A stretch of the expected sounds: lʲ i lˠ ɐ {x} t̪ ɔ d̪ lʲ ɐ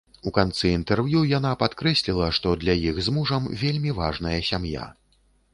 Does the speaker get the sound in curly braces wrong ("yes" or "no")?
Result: yes